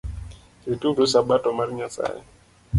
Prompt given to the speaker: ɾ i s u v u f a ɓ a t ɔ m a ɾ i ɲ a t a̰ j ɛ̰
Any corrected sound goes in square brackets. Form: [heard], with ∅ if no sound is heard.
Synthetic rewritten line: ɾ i [t] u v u [s] a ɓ a t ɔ m a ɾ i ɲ a [s] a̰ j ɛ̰